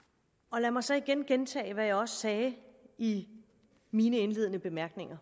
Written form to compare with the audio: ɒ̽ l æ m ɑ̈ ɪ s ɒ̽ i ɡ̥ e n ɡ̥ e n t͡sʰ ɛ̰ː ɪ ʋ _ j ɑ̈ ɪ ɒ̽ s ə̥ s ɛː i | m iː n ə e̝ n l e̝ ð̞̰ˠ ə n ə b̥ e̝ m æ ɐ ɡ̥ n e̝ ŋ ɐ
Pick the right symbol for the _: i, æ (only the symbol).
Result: æ